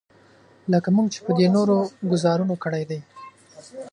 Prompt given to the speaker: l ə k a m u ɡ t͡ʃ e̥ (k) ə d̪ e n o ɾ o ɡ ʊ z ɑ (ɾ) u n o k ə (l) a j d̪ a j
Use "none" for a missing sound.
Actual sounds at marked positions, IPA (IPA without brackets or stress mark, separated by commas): p, ɾ, ɽ